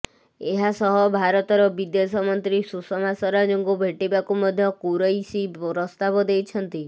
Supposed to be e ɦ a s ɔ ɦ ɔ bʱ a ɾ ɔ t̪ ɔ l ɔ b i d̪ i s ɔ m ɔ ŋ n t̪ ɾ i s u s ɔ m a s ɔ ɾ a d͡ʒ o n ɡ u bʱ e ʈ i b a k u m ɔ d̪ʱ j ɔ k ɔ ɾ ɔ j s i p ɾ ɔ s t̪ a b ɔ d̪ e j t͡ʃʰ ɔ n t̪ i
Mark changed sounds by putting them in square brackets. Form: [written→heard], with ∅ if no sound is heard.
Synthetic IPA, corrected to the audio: e ɦ a s ɔ ɦ ɔ bʱ a ɾ ɔ t̪ ɔ [l→ɾ] ɔ b i d̪ [i→e] s ɔ m ɔ [ŋ→∅] n t̪ ɾ i s u s ɔ m a s ɔ ɾ a d͡ʒ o [n→ŋ] ɡ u bʱ e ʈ i b a k u m ɔ d̪ʱ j ɔ k [ɔ→u] ɾ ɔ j s i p ɾ ɔ s t̪ a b ɔ d̪ e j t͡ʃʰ ɔ n t̪ i